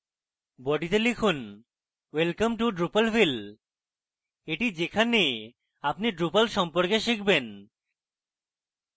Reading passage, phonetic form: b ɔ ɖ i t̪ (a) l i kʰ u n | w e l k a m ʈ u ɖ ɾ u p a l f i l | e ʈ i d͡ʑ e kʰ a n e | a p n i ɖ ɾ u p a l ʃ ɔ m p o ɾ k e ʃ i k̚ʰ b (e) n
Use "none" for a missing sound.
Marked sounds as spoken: e, e

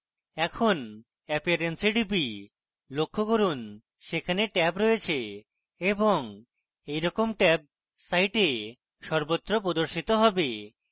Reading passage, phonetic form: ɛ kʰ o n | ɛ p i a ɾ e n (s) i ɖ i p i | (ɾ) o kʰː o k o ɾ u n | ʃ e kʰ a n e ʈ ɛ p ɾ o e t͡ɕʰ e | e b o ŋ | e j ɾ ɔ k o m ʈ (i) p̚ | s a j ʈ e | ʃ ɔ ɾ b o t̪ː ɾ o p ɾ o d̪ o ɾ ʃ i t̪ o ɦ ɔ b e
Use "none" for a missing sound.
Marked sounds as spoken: s, l, ɛ

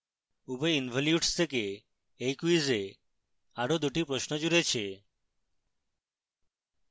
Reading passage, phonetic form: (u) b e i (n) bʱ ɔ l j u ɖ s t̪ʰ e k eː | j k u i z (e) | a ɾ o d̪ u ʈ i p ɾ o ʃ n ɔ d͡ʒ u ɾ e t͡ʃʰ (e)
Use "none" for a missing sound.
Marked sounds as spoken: u, n, e, e

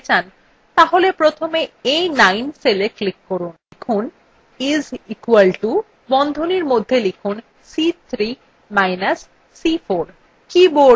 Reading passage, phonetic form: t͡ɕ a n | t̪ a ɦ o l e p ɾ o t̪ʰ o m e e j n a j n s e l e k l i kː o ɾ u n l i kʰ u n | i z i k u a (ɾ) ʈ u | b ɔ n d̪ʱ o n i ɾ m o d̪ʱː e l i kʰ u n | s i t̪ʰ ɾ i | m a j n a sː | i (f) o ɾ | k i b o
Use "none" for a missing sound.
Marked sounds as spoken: l, f

